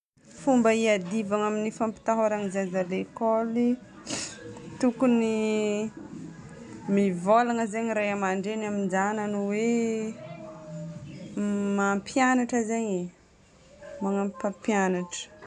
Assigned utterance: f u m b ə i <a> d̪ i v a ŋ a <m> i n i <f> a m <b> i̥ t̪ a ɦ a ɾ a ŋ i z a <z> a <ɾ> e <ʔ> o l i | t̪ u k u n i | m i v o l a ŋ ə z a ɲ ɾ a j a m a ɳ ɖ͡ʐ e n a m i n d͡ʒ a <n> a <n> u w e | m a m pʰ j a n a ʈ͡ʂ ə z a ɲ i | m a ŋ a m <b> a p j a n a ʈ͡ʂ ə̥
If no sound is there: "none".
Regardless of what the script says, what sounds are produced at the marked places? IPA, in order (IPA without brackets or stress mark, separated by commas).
a, m, f, p, z, l, k, n, n, p